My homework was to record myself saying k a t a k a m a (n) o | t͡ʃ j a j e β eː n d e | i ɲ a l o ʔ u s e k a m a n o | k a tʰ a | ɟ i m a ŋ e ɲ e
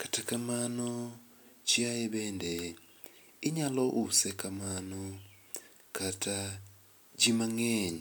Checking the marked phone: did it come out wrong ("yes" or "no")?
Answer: no